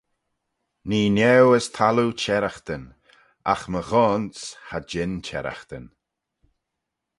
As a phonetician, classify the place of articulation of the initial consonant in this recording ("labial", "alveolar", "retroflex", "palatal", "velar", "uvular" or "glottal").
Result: alveolar